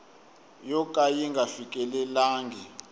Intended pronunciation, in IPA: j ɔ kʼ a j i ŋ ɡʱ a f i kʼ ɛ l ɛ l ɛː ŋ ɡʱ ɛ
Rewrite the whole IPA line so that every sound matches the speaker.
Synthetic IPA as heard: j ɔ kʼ a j i ŋ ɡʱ a f i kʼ ɛ l ɛ l aː ŋ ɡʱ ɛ

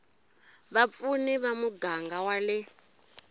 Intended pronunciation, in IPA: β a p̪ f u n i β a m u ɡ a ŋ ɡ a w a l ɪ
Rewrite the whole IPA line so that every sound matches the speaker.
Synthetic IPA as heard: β a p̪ f u n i β a m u ɡ a ŋ ɡ a w a l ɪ

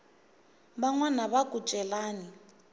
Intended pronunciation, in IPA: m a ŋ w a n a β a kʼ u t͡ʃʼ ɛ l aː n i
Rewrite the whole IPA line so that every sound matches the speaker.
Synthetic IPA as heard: b a ŋ w a n a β a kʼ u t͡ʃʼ ɛ l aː n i

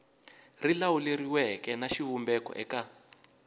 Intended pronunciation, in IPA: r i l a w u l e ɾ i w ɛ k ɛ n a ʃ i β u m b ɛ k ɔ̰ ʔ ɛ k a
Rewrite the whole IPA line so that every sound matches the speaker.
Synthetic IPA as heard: r i l a w u l e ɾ i w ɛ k ɛ n a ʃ i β u m b ɛ k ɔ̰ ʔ ɛ k a

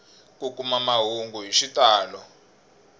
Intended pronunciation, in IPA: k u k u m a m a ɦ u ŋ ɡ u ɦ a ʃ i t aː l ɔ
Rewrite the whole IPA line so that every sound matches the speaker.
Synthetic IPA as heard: k u k u m a m a ɦ u ŋ ɡ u ɦ i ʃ i t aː l ɔ

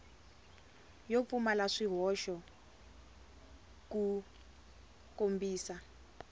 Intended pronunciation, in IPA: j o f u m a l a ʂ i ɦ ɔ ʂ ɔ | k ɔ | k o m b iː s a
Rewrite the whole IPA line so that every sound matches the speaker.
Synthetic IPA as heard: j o f u m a l a ʂ i ɦ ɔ ʃ ɔ | k u | k o m b iː s a

